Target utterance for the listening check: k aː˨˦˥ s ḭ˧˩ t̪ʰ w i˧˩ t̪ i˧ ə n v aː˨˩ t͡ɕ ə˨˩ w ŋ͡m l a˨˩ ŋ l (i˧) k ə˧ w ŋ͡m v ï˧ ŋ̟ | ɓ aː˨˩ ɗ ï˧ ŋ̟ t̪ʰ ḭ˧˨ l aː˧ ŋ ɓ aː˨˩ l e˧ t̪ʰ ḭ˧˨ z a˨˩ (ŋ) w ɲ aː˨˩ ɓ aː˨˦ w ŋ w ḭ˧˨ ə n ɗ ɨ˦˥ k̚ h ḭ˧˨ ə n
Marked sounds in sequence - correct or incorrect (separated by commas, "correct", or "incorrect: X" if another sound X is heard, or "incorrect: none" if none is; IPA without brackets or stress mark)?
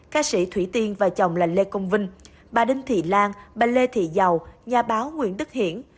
incorrect: e˧, incorrect: none